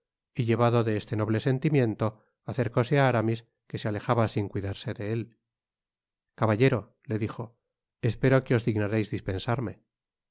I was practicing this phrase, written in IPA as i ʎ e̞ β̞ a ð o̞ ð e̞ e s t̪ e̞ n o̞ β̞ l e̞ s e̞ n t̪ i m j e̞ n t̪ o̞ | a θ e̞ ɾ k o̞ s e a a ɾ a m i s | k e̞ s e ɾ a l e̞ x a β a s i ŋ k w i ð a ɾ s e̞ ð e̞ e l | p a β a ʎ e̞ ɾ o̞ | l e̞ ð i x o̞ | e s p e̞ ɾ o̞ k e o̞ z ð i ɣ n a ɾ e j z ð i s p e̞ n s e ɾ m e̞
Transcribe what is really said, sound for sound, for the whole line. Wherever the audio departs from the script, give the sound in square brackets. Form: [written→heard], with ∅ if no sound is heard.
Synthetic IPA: i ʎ e̞ β̞ a ð o̞ ð e̞ e s t̪ e̞ n o̞ β̞ l e̞ s e̞ n t̪ i m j e̞ n t̪ o̞ | a θ e̞ ɾ k o̞ s e a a ɾ a m i s | k e̞ s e [ɾ→∅] a l e̞ x a β a s i ŋ k w i ð a ɾ s e̞ ð e̞ e l | [p→k] a β a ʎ e̞ ɾ o̞ | l e̞ ð i x o̞ | e s p e̞ ɾ o̞ k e o̞ z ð i ɣ n a ɾ e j z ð i s p e̞ n s [e→a] ɾ m e̞